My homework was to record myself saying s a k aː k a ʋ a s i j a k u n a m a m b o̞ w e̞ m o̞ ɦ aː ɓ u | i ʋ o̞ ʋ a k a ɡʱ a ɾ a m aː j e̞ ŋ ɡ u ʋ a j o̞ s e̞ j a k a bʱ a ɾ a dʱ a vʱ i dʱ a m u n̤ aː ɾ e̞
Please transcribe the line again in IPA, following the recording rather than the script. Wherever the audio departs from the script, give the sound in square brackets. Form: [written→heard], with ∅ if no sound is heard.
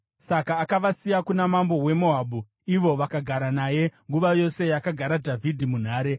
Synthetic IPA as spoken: s a k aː k a ʋ a s i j a k u n a m a m b o̞ w e̞ m o̞ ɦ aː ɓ u | i ʋ o̞ ʋ a k a ɡʱ a ɾ a [m→n] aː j e̞ ŋ ɡ u ʋ a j o̞ s e̞ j a k a [bʱ→ɡʱ] a ɾ a dʱ a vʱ i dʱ [a→i] m u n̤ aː ɾ e̞